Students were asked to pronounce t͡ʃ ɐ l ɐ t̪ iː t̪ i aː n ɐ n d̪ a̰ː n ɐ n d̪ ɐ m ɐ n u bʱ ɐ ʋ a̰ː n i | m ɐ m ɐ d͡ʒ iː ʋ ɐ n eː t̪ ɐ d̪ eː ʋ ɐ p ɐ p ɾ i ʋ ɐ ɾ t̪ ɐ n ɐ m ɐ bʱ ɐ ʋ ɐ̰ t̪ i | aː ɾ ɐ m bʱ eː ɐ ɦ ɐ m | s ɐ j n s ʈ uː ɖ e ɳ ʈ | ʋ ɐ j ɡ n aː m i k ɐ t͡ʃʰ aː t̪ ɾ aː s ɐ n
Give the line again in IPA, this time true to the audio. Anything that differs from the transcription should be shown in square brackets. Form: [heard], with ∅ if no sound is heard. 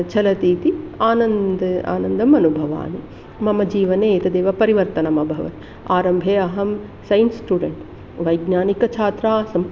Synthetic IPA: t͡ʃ ɐ l ɐ t̪ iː t̪ i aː n ɐ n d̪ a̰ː n ɐ n d̪ ɐ m ɐ n u bʱ ɐ ʋ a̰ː n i | m ɐ m ɐ d͡ʒ iː ʋ ɐ n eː t̪ ɐ d̪ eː ʋ ɐ p ɐ [∅] ɾ i ʋ ɐ ɾ t̪ ɐ n ɐ m ɐ bʱ ɐ ʋ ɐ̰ t̪ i | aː ɾ ɐ m bʱ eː ɐ ɦ ɐ m | s ɐ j n s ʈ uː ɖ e ɳ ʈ | ʋ ɐ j ɡ n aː [n] i k ɐ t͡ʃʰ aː t̪ ɾ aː s ɐ [m]